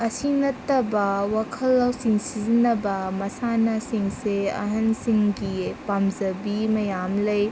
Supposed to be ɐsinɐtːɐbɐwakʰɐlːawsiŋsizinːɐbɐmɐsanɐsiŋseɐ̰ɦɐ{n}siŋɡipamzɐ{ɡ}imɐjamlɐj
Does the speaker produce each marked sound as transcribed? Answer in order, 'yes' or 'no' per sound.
yes, no

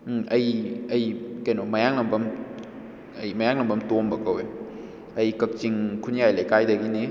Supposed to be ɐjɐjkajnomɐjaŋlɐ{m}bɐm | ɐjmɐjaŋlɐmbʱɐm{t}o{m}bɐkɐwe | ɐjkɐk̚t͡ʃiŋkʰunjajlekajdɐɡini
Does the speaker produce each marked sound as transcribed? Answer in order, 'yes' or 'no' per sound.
yes, yes, yes

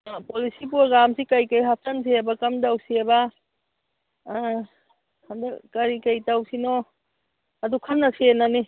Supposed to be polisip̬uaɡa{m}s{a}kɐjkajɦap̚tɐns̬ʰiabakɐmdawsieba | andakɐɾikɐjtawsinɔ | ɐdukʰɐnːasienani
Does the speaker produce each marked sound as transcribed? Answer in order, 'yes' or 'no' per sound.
yes, no

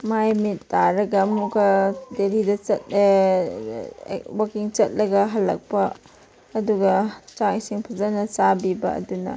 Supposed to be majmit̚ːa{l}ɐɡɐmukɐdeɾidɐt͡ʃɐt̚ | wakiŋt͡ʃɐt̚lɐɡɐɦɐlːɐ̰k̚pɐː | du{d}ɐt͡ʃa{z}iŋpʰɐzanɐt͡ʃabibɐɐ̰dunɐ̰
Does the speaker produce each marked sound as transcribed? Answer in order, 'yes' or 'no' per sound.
no, no, no

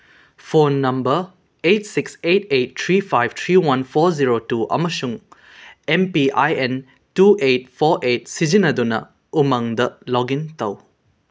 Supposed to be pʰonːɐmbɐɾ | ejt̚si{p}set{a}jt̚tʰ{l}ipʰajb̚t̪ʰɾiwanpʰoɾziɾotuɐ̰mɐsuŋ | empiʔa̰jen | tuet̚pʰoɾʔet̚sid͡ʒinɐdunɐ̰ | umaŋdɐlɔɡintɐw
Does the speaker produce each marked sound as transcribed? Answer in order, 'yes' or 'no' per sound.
no, no, no

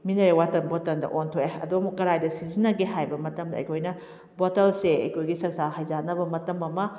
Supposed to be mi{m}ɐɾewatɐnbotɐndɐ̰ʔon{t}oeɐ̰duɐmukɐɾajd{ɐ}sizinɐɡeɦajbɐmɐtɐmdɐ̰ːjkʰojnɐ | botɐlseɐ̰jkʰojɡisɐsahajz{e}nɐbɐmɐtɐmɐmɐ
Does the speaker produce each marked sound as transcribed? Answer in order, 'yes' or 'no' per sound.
no, no, yes, no

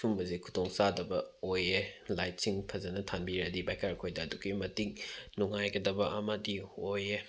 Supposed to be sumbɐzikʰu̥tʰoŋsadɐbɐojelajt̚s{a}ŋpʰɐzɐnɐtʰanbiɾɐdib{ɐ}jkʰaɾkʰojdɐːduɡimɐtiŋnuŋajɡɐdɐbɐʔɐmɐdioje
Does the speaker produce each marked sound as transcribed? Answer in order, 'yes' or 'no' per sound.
no, no

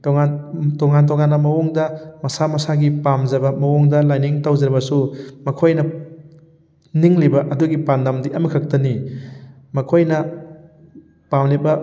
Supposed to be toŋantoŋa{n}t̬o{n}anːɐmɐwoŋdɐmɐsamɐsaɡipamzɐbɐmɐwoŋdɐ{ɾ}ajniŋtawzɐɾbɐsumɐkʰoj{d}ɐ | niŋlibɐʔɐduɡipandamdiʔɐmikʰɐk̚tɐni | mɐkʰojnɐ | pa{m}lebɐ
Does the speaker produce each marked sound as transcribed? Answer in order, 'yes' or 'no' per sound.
yes, no, no, no, yes

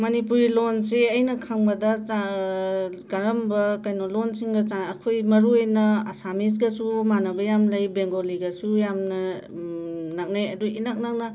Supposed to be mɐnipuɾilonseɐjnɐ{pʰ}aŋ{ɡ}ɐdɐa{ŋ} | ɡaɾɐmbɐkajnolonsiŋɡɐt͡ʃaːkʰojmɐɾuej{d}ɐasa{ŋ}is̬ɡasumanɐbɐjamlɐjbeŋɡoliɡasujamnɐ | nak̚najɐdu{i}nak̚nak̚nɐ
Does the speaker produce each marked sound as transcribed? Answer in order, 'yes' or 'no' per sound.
no, no, no, no, no, yes

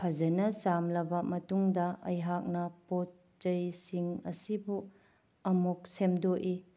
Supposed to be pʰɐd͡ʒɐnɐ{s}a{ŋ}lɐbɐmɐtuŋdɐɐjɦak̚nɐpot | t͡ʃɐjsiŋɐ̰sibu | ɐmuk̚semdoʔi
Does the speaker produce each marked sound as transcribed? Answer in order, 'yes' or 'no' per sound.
yes, no

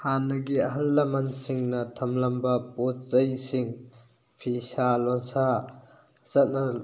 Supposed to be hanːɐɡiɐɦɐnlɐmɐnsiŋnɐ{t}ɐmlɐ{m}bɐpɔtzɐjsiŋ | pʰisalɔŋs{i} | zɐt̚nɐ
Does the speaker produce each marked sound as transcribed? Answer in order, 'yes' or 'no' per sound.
no, yes, no

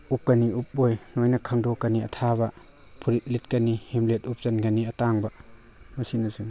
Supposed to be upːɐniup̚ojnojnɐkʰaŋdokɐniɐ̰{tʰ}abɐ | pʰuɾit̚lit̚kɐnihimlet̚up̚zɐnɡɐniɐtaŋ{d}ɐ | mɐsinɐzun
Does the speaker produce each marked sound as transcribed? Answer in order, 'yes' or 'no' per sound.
yes, no

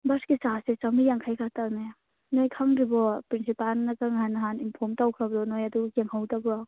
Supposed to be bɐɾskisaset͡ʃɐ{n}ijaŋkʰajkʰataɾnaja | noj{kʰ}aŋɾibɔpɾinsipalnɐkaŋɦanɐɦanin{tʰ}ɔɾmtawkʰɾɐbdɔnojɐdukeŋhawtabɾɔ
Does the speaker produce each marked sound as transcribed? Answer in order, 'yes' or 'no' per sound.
no, yes, no

